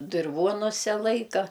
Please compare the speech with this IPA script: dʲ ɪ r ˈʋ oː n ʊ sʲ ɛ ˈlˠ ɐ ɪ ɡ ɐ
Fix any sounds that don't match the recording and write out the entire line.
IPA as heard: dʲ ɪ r ˈʋ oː n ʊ sʲ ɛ ˈlˠ ɐ ɪ k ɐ